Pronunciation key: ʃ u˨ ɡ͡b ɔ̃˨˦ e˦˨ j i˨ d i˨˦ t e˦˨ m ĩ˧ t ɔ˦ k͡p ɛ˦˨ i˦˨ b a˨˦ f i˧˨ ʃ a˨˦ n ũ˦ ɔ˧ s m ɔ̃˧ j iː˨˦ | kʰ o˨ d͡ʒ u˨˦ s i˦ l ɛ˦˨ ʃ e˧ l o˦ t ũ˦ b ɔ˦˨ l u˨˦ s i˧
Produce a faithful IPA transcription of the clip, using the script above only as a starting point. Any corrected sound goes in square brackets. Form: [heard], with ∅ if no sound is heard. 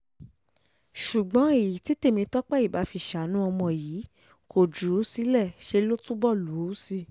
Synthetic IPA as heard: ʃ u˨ ɡ͡b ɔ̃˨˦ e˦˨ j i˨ [t] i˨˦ t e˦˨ m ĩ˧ t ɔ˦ k͡p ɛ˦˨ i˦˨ b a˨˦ f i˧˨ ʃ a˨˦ n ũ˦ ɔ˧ [∅] m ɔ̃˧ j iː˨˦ | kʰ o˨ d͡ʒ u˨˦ s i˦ l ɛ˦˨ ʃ e˧ l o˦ t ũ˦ b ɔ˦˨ l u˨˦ s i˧